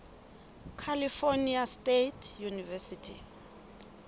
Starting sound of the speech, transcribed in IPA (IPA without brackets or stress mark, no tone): kʰ